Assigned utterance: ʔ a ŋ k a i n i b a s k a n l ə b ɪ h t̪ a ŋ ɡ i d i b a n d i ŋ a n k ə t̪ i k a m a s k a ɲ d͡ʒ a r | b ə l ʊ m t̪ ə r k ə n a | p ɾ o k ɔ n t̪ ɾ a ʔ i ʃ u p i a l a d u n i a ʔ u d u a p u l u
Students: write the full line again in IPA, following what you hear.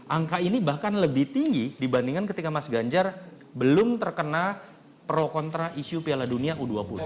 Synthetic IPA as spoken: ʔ a ŋ k a i n i b a h k a n l ə b ɪ h t̪ i ŋ ɡ i d i b a n d i ŋ a n k ə t̪ i k a m a s ɡ a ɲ d͡ʒ a r | b ə l ʊ m t̪ ə r k ə n a | p ɾ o k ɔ n t̪ ɾ a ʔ i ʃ u p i a l a d u n i a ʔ u d u a p u l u